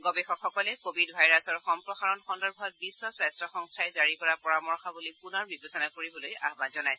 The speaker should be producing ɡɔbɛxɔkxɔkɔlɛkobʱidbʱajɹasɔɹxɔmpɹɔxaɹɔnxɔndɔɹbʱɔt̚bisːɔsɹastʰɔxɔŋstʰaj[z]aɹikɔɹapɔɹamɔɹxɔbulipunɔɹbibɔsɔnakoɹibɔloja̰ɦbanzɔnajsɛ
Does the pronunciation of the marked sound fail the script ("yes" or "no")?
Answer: no